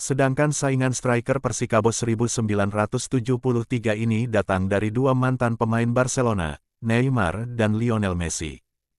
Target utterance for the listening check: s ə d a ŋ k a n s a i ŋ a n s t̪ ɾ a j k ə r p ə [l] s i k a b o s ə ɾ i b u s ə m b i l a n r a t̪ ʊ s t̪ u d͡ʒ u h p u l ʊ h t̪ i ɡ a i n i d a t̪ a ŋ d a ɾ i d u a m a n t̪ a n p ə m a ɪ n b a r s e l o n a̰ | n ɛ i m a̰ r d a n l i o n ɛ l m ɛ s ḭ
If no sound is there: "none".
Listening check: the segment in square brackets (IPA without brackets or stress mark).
r